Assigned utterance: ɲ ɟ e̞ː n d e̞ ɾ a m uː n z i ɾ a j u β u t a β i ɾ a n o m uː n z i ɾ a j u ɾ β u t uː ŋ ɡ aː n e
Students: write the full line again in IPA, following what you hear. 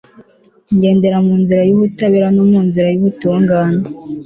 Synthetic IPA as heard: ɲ ɟ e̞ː n d e̞ ɾ a m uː n z i ɾ a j u β u t a β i ɾ a n o m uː n z i ɾ a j u β u t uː ŋ ɡ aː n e